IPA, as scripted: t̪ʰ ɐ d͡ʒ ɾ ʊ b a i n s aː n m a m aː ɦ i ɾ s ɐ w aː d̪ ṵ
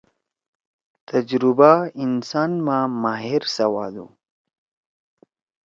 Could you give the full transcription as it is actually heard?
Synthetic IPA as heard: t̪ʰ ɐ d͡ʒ ɾ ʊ b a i n s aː n m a m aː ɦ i ɾ s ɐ w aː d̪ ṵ

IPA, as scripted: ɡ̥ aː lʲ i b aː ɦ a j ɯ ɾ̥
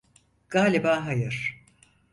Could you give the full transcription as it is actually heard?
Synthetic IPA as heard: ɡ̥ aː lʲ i b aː ɦ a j ɯ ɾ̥

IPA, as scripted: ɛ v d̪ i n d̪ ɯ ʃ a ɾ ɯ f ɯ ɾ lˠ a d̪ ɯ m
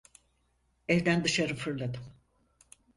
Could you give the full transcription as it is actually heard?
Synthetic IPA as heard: ɛ v d̪ æ n d̪ ɯ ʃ a ɾ ɯ f ɯ ɾ lˠ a d̪ ɯ m

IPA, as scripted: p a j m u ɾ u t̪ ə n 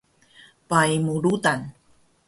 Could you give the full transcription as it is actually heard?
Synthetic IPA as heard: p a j m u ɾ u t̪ a n

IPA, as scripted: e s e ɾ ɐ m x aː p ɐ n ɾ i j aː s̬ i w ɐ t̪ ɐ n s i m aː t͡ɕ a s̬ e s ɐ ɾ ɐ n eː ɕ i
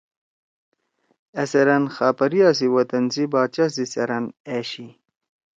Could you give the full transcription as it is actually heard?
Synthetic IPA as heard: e s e ɾ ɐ n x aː p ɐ ɾ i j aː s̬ i w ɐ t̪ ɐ n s i b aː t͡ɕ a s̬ i s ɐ ɾ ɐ n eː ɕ i

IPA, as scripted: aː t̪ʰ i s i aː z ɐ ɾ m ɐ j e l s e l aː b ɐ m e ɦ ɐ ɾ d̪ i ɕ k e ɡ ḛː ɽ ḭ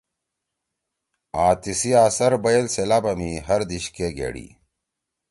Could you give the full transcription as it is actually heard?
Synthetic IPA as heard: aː t̪ i s i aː s ɐ ɾ b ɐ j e l s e l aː b ɐ m i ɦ ɐ ɾ d̪ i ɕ k e ɡ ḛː ɽ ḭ

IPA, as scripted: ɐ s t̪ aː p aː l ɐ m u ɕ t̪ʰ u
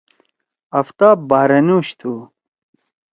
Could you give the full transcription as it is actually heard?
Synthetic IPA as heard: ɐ f t̪ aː b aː ɾ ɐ n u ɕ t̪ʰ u

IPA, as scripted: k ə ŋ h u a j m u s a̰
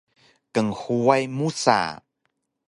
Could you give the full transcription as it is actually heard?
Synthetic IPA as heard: k ə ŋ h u a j m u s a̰

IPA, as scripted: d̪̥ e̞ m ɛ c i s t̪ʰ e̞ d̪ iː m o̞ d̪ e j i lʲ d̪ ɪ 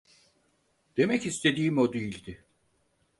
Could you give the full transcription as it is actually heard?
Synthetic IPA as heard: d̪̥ e̞ m ɛ c i s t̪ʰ e̞ d̪ iː m o̞ d̪ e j i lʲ d̪ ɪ

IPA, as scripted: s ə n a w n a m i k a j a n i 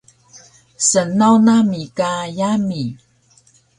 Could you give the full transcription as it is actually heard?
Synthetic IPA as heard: s ə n a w n a m i k a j a m i

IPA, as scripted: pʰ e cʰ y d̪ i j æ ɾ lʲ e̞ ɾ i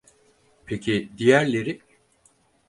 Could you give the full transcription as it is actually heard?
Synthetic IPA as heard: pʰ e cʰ i d̪ i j æ ɾ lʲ e̞ ɾ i

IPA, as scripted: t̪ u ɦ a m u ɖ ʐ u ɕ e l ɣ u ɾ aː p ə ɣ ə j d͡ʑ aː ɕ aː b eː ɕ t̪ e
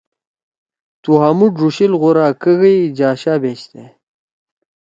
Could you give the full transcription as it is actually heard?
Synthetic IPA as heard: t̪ u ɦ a m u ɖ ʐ u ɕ i l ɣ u ɾ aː k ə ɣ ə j d͡ʑ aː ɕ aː b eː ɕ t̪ e

